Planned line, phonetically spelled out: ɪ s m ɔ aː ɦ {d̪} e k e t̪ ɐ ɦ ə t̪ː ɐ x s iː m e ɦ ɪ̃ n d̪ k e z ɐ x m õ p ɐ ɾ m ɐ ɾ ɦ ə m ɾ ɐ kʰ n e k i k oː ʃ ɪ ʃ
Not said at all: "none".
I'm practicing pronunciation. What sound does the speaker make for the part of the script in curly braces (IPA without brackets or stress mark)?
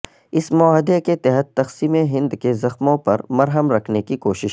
d̪